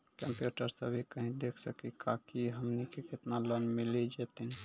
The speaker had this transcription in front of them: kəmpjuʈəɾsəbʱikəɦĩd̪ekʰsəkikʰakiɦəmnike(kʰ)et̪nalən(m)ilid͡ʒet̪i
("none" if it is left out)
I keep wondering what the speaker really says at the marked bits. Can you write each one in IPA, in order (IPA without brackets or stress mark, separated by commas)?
k, m